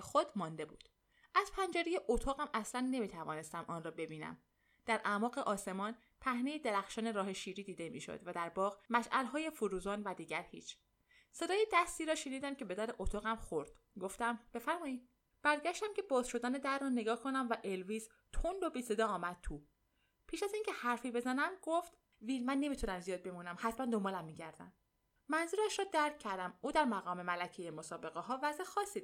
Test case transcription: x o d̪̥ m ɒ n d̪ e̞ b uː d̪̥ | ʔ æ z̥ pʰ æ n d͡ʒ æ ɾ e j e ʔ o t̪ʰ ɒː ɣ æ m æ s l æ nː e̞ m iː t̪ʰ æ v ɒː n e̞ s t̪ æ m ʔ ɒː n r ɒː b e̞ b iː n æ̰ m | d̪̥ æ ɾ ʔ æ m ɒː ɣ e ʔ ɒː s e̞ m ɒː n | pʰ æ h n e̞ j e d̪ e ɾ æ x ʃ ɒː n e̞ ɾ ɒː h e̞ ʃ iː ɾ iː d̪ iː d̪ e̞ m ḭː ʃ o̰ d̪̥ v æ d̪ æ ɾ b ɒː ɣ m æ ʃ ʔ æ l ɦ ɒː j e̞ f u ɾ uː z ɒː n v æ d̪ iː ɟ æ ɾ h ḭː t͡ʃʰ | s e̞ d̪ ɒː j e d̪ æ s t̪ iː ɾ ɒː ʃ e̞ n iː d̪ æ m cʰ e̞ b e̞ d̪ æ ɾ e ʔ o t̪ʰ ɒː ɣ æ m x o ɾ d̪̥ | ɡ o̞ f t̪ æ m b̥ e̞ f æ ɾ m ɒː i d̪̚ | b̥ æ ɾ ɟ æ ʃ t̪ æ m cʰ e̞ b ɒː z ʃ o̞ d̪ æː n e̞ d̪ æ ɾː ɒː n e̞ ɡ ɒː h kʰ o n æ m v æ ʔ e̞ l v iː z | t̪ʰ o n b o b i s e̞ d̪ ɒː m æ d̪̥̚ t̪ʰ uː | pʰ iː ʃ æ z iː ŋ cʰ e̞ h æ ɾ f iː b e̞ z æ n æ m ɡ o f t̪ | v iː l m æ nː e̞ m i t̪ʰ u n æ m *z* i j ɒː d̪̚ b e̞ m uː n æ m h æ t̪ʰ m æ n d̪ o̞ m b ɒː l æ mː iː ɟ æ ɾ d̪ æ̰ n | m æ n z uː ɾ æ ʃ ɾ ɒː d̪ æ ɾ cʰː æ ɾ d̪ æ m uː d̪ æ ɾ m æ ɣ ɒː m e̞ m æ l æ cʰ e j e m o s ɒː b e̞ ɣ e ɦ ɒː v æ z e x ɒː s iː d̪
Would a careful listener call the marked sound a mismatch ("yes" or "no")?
no